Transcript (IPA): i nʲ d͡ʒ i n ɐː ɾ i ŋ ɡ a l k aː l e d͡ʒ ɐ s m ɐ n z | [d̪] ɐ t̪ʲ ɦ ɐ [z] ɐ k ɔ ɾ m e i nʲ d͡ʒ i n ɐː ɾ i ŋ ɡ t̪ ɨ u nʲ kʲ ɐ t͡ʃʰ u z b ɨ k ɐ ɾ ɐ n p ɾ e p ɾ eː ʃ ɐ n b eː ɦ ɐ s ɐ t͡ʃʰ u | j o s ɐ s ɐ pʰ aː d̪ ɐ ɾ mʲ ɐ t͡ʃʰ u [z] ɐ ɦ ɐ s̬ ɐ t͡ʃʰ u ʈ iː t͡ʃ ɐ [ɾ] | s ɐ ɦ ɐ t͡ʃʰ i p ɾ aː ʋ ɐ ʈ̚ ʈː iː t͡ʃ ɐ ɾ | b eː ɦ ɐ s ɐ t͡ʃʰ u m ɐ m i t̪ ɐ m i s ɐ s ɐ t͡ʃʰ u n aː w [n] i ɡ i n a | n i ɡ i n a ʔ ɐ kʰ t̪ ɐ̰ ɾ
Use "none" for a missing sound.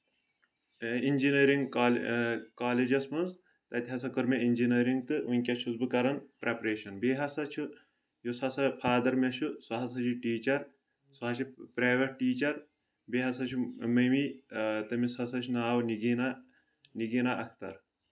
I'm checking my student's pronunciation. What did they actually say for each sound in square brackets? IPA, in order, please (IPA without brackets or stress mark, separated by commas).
t̪, s, s, ɾ, n